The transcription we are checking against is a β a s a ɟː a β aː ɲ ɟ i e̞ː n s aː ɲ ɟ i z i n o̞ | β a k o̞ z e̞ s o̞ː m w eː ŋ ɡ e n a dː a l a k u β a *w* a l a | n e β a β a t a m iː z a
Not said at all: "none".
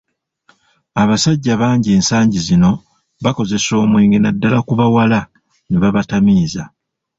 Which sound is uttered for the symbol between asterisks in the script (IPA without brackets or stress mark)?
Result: w